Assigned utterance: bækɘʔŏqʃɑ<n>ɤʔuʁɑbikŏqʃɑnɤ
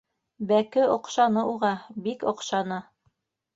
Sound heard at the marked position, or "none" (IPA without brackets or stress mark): n